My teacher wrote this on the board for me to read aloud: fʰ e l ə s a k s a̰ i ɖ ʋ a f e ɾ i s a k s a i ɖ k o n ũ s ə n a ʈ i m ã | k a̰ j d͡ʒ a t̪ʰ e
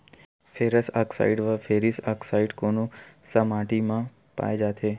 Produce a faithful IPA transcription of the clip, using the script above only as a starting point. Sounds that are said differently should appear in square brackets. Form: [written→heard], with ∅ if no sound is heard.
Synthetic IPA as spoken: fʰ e [l→ɾ] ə s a k s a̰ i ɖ ʋ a f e ɾ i s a k s a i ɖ k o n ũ s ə [n→m] a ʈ i m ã | [k→p] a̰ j d͡ʒ a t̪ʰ e